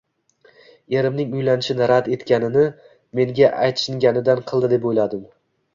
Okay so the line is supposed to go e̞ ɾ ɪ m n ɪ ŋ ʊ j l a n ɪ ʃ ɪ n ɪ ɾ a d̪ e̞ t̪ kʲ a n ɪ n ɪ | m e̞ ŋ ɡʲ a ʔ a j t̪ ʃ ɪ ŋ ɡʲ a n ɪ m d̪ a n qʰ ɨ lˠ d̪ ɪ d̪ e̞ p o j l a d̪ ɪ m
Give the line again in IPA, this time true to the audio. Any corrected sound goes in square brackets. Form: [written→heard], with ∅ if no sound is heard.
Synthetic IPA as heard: e̞ ɾ ɪ m n ɪ ŋ ʊ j l a n ɪ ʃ ɪ n ɪ ɾ a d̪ e̞ t̪ kʲ a n ɪ n ɪ | m e̞ ŋ ɡʲ a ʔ a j t̪ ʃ ɪ ŋ ɡʲ a n ɪ [m→∅] d̪ a n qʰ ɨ lˠ d̪ ɪ d̪ e̞ p o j l a d̪ ɪ m